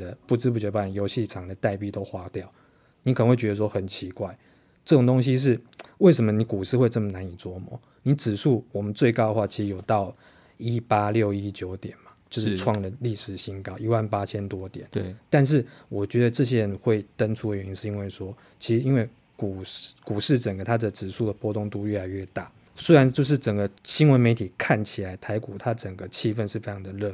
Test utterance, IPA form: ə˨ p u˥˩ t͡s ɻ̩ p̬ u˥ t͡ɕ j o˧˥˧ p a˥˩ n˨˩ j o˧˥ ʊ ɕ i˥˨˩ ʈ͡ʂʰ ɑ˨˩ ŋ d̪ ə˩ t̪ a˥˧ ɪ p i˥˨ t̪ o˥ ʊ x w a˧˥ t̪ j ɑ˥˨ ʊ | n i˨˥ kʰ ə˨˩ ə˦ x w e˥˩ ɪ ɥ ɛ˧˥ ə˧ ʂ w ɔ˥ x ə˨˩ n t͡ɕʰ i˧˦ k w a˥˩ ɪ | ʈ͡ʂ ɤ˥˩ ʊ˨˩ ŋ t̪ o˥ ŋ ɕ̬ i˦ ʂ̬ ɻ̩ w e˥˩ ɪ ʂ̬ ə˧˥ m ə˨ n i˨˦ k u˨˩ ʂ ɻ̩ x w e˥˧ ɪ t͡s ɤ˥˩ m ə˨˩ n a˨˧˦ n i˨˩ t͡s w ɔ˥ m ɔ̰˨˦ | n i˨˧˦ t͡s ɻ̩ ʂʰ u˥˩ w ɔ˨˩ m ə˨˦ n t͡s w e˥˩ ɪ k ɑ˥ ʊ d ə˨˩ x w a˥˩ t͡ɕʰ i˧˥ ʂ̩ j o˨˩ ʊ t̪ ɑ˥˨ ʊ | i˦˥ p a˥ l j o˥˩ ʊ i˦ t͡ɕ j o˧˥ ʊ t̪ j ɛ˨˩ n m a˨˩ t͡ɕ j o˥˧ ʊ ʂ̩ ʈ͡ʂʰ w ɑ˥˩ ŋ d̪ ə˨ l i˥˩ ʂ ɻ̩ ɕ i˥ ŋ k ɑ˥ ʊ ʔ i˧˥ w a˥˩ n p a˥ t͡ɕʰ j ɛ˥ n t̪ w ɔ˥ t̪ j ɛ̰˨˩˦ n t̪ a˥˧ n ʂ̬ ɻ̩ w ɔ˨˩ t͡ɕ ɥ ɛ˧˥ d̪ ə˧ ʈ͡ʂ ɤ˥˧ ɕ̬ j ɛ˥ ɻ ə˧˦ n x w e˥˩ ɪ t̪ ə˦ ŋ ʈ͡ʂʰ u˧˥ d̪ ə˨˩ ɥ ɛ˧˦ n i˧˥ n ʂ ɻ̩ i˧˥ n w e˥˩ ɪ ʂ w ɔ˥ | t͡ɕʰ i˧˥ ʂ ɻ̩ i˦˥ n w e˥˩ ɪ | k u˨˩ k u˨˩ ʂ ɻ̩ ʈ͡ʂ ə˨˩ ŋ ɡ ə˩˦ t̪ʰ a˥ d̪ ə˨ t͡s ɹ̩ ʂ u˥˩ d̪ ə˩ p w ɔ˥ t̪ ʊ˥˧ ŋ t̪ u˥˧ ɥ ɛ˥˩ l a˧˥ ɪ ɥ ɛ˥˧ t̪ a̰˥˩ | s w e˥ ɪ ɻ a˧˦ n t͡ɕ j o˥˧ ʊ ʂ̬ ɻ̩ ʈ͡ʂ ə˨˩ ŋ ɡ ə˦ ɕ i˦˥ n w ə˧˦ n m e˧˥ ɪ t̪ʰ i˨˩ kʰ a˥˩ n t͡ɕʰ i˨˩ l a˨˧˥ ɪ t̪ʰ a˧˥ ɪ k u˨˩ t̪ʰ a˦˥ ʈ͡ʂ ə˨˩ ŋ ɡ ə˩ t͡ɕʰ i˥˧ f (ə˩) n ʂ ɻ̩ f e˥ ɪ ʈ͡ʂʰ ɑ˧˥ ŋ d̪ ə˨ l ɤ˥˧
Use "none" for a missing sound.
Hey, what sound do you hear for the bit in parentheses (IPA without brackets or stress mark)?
ə˥˧